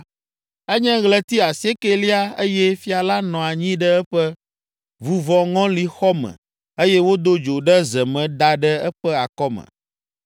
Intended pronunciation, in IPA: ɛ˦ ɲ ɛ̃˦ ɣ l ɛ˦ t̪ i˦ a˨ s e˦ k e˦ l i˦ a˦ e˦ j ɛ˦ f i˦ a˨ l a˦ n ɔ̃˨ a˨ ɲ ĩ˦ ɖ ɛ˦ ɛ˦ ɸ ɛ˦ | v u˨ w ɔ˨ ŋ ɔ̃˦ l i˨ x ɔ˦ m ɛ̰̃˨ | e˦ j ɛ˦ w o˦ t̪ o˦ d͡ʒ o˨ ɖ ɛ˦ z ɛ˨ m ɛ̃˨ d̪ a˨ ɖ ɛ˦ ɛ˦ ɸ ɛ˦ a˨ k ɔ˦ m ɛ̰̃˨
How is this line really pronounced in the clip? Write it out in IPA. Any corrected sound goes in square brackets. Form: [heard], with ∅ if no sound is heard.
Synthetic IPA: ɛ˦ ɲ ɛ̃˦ ɣ l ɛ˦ t̪ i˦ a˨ s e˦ k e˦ l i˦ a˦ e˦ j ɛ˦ f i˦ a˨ l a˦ n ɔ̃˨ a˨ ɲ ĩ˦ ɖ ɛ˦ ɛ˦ ɸ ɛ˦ | v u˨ [v] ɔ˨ ŋ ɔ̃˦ l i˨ x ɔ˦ m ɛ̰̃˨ | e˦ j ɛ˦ w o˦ [d̪] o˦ d͡ʒ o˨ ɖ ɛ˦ z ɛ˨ m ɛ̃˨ d̪ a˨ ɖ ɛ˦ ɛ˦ ɸ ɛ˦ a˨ k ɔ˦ m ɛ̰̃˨